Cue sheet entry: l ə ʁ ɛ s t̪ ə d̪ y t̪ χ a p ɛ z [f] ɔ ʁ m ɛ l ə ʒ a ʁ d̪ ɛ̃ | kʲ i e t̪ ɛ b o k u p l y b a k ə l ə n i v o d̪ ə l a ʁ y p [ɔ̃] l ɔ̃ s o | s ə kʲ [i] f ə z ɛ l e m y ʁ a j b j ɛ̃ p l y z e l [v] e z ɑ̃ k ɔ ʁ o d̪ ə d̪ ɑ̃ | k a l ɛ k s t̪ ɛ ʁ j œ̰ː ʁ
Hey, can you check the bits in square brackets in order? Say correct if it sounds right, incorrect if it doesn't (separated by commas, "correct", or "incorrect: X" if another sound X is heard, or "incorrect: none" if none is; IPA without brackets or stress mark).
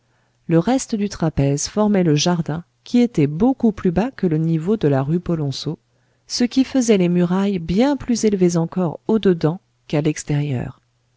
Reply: correct, incorrect: ɔ, correct, correct